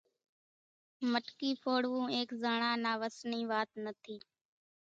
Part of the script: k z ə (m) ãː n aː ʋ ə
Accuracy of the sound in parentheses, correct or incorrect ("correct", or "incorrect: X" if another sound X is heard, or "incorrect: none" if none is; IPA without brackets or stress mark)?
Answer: incorrect: ɳ